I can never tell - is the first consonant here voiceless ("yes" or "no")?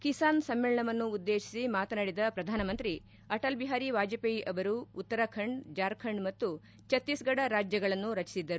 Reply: yes